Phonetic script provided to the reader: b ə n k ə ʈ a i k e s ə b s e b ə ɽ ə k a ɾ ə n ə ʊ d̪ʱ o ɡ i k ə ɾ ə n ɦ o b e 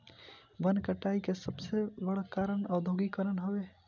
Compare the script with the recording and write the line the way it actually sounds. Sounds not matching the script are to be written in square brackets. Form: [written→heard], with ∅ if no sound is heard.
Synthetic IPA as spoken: b ə n k ə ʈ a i k e s ə b s e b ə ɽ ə k a ɾ ə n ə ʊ d̪ʱ o ɡ i k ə ɾ ə n ɦ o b e